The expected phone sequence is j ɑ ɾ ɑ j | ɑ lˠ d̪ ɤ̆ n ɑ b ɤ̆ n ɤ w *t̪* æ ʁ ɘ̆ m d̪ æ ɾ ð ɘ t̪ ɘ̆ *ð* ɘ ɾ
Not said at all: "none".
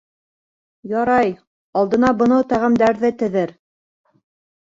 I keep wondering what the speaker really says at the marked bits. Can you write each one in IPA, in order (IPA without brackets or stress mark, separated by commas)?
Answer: t̪, ð